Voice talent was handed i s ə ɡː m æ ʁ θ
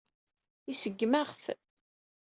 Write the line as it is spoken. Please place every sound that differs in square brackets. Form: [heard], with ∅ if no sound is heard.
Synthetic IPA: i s ə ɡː m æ ʁ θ